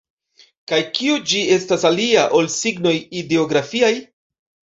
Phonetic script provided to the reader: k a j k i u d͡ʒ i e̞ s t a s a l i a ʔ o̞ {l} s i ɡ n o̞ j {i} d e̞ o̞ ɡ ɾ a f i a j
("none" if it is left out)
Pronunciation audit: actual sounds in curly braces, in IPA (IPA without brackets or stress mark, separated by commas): l, i